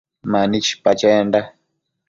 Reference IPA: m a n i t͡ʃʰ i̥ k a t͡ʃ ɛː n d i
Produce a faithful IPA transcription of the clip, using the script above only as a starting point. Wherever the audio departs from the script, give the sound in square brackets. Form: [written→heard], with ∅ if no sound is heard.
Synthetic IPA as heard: m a n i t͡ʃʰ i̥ [k→p] a t͡ʃ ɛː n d [i→a]